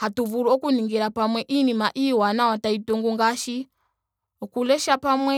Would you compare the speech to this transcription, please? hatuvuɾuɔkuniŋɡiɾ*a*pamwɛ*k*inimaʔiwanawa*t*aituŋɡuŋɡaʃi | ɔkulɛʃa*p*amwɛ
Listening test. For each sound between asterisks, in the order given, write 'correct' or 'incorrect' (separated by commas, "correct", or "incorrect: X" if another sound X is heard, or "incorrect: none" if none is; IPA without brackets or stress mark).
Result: correct, incorrect: ʔ, correct, correct